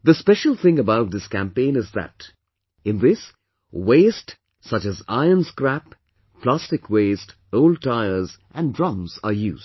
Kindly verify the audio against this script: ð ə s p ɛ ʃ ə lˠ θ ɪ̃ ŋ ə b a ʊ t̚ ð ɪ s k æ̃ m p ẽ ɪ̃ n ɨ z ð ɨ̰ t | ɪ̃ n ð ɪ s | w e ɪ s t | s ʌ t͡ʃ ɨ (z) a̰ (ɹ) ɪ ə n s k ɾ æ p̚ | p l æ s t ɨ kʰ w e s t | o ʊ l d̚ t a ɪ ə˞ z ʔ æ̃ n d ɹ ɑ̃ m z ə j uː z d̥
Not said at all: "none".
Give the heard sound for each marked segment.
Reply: z, none

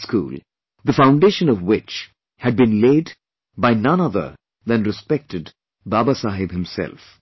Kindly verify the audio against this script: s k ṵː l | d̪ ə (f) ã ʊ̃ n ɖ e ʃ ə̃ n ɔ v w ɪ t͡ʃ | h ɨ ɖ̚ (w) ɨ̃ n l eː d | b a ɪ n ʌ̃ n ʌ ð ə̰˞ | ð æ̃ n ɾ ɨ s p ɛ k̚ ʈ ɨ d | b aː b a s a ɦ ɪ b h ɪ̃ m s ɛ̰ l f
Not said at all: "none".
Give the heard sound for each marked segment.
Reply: f, b

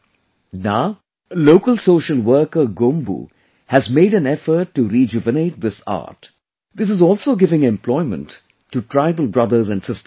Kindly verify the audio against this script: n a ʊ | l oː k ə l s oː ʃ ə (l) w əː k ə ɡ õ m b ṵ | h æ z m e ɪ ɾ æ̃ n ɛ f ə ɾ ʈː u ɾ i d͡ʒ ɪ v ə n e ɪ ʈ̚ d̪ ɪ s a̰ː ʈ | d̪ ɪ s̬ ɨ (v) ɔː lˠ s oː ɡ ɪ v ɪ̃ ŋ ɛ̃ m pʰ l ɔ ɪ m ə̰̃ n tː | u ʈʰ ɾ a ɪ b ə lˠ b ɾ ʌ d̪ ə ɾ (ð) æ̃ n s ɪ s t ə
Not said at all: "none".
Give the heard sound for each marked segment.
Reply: l, z, z

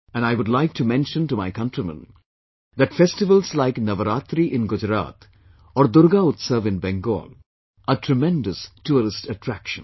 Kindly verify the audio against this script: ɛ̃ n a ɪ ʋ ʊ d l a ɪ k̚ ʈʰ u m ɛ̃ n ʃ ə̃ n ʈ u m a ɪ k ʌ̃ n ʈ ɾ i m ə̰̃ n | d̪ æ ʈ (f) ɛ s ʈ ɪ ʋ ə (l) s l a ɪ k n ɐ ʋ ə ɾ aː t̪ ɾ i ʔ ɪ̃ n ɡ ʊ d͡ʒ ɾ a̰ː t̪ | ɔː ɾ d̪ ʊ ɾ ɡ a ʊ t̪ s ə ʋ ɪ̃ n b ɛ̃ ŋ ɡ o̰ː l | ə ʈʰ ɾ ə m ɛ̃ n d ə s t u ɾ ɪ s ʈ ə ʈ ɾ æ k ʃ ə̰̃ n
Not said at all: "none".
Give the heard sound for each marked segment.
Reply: f, l

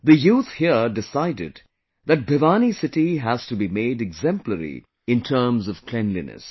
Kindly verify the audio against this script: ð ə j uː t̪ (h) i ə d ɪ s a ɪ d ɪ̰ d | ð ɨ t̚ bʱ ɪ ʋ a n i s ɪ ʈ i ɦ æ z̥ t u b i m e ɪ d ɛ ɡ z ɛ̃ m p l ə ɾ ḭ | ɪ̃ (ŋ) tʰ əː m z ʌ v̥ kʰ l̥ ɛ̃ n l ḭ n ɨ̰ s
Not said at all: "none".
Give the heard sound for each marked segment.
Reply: h, n

